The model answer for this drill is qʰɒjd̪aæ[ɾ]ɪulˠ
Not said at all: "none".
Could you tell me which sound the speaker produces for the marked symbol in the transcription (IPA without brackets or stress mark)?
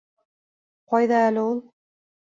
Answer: l